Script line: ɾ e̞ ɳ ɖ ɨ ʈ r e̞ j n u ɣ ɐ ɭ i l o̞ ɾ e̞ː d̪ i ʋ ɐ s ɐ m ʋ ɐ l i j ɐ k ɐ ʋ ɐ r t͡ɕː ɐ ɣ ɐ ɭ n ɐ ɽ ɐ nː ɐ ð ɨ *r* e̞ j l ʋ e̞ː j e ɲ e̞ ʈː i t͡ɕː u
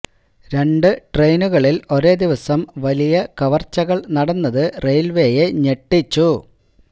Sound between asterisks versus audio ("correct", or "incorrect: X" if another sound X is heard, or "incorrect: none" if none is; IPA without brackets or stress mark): correct